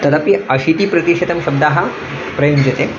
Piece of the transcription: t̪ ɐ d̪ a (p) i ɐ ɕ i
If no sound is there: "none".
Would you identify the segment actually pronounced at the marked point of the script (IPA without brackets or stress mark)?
p